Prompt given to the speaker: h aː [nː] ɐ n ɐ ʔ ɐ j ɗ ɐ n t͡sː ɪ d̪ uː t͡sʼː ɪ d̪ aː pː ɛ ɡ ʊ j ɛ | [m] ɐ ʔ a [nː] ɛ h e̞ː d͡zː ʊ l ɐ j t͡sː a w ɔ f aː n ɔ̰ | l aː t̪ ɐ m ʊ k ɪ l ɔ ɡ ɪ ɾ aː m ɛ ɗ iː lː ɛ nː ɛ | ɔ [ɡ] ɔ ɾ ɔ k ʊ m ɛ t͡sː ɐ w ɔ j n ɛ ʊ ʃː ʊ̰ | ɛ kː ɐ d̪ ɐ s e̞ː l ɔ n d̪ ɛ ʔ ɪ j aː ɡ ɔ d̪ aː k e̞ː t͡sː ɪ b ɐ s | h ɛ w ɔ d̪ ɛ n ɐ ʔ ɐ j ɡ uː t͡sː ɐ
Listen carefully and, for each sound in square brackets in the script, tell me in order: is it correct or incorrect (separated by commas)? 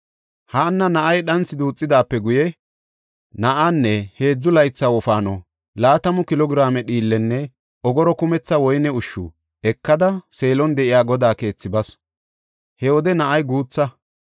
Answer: correct, incorrect, correct, correct